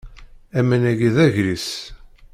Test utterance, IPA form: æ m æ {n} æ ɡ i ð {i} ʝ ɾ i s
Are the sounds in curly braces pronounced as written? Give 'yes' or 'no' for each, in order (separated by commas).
yes, no